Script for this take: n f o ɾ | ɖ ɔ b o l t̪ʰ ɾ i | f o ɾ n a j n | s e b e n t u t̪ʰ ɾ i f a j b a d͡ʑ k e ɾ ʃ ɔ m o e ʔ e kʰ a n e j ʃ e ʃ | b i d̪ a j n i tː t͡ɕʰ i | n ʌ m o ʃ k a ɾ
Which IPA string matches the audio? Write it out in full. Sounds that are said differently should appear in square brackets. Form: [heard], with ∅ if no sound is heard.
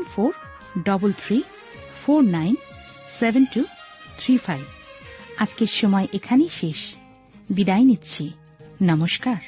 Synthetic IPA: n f o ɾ | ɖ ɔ b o l t̪ʰ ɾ i | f o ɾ n a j n | s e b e n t u t̪ʰ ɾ i f a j b a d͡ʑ k e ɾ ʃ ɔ m [ɔ] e ʔ e kʰ a n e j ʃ e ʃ | b i d̪ a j n i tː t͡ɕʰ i | n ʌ m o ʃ k a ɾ